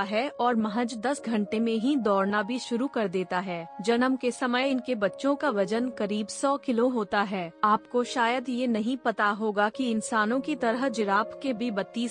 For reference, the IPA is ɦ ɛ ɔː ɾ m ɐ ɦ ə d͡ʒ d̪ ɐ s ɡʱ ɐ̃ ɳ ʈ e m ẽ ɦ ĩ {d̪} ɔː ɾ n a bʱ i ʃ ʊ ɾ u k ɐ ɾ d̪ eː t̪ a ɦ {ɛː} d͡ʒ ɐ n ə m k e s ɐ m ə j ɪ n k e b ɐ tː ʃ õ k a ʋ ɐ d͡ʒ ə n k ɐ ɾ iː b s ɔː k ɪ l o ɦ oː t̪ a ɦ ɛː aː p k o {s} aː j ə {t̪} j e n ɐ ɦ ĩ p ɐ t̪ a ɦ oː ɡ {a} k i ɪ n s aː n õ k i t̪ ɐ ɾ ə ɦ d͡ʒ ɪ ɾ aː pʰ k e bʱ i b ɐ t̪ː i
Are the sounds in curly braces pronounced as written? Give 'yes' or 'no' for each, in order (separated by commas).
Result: yes, yes, no, no, yes